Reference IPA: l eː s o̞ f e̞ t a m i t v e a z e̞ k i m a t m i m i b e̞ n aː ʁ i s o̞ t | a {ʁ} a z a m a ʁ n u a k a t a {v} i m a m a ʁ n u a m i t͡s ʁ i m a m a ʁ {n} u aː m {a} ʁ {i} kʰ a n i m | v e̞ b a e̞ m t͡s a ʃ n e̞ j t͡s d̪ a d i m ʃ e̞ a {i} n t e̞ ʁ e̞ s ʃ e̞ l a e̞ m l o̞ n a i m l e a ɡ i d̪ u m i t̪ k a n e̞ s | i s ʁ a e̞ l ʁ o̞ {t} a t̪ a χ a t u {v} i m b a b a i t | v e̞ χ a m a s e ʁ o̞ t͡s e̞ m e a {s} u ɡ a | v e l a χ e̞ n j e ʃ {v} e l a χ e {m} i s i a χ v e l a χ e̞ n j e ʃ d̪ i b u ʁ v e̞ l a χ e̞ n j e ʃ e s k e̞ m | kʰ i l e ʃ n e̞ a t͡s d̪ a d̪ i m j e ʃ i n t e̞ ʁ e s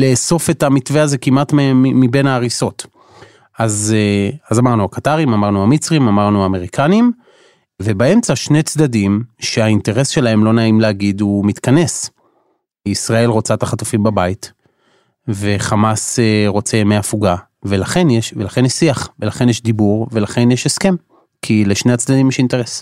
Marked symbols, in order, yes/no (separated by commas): no, no, yes, no, yes, yes, no, no, no, yes, no